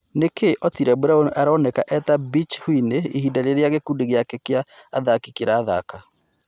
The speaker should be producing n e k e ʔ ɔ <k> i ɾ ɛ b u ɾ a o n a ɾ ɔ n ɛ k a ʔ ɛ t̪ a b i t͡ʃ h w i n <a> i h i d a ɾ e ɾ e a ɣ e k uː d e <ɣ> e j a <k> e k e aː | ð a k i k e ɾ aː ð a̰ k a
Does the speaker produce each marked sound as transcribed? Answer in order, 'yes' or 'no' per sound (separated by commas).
no, no, yes, yes